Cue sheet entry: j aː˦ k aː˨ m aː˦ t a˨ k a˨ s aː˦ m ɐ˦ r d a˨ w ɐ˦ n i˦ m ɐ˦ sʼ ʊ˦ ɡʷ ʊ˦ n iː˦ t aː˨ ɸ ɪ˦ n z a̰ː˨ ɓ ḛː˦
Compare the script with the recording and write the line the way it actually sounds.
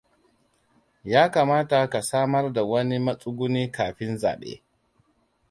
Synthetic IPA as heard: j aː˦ k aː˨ m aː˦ t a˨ k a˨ s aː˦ m ɐ˦ r d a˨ w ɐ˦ n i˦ m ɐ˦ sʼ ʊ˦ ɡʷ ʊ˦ n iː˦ k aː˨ ɸ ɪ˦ n z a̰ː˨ ɓ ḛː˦